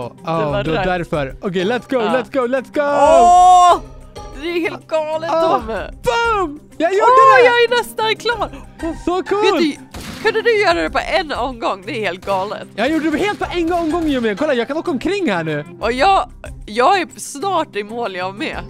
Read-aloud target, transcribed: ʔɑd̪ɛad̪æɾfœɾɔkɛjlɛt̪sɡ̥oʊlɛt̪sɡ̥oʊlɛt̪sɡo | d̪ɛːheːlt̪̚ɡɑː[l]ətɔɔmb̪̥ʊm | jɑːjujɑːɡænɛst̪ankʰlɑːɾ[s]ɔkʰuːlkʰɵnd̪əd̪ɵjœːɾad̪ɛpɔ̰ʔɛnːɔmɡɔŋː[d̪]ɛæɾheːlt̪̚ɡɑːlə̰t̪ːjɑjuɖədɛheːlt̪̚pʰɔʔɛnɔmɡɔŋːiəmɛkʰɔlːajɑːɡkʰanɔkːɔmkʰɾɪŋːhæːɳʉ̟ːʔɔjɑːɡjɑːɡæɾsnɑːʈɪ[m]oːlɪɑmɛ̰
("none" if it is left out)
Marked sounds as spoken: l, s, d̪, m

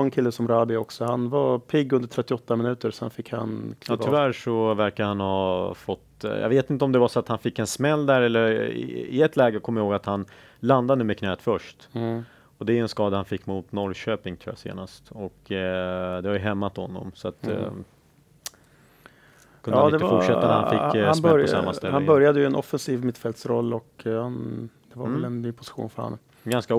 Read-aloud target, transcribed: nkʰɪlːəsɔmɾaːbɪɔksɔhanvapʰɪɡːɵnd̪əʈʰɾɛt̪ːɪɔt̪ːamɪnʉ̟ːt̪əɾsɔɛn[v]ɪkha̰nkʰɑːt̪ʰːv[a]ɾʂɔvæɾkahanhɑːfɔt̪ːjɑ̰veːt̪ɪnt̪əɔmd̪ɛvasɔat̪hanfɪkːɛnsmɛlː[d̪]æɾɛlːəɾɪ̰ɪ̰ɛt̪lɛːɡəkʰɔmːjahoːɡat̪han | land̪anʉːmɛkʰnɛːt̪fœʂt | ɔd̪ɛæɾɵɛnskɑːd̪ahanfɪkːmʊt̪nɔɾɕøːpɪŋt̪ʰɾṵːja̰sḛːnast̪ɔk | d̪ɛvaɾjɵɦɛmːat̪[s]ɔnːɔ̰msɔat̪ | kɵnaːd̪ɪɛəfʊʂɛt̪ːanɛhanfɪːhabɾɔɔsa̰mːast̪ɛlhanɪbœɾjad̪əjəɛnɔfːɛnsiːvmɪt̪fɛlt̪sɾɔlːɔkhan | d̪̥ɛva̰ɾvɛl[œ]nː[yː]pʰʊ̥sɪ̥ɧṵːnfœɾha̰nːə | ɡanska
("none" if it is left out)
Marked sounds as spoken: f, æ, d̪, h, ɛ, yː

